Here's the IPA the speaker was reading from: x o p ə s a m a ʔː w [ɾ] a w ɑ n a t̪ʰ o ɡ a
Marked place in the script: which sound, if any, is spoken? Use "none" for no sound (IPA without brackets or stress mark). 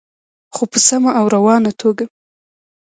ɾ